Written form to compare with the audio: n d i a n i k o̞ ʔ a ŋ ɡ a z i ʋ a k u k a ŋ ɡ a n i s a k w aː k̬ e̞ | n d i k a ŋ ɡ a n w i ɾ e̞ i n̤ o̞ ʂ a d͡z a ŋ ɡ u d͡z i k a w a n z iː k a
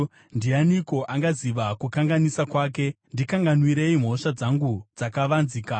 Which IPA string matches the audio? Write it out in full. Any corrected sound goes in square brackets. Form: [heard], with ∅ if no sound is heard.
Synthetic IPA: n d i a n i k o̞ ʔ a ŋ ɡ a z i ʋ a k u k a ŋ ɡ a n i s a k w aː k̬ e̞ | n d i k a ŋ ɡ a n w i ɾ e̞ i [m̤] o̞ ʂ a d͡z a ŋ ɡ u d͡z [a] k a [ʋ] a n z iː k a